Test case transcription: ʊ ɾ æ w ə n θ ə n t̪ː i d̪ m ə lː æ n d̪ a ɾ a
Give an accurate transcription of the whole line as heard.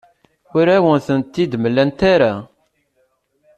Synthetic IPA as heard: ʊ ɾ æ w ə n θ ə n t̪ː i d̪ m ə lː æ n t̪ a ɾ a